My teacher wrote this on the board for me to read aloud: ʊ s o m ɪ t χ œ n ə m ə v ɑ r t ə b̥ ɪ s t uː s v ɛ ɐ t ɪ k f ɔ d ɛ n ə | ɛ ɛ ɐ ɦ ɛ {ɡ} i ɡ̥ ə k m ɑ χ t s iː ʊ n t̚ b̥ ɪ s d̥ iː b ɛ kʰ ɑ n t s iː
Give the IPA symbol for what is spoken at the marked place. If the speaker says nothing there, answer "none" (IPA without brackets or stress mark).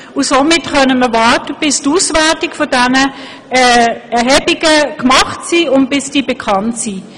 b